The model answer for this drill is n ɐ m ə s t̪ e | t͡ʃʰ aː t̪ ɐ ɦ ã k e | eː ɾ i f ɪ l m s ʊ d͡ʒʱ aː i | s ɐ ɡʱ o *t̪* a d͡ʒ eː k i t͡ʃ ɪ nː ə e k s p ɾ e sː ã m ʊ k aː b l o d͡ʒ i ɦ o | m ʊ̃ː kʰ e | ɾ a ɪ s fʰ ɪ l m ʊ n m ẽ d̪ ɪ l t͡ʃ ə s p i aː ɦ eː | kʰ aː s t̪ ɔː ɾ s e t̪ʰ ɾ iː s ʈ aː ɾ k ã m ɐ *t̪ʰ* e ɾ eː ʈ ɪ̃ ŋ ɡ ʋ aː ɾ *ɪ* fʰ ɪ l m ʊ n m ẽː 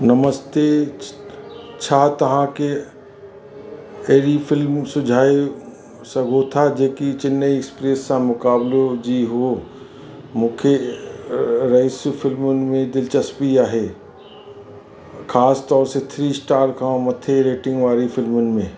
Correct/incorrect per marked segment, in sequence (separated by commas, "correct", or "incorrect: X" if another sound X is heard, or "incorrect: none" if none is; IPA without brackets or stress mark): incorrect: t̪ʰ, correct, incorrect: i